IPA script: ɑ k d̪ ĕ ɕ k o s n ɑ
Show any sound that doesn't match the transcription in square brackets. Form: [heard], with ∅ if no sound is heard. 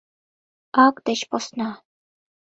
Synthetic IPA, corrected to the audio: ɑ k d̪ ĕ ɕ [p] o s n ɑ